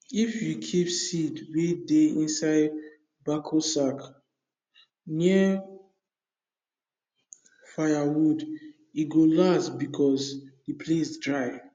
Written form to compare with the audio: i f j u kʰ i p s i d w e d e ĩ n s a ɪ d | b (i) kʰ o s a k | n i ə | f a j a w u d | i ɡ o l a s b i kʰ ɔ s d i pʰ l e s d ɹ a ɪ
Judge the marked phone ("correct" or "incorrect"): incorrect